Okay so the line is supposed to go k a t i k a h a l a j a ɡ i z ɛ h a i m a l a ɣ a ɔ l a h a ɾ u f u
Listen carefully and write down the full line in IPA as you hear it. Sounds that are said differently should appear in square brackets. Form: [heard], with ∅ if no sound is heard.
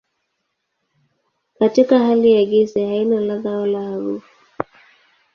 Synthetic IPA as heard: k a t i k a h a l [i] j a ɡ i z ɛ h a i [n] a l a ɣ a ɔ l a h a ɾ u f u